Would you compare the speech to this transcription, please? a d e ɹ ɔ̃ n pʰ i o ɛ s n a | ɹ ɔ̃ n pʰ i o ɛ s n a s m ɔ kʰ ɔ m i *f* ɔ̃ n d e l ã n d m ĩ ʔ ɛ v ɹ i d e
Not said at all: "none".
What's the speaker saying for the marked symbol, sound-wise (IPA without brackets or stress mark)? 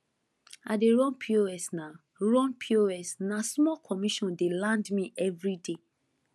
ʃ